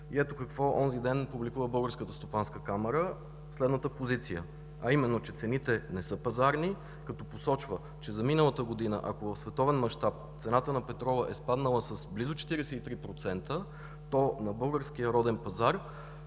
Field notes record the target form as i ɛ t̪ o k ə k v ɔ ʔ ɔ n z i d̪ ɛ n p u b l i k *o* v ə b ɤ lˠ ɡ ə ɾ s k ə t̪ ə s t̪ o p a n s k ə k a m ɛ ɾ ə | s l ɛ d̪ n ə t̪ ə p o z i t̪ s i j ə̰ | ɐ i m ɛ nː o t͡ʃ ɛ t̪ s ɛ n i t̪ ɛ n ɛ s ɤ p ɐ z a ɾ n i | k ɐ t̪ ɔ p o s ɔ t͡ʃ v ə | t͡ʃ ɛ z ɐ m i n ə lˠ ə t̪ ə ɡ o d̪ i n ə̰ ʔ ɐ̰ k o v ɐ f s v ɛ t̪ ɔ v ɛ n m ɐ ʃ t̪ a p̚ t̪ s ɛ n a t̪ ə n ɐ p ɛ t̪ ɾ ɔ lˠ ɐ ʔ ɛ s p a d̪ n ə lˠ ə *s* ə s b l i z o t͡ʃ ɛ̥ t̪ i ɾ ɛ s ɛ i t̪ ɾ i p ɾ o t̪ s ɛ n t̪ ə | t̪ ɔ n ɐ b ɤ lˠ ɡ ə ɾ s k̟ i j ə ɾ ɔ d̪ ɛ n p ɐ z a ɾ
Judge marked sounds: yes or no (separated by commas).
no, yes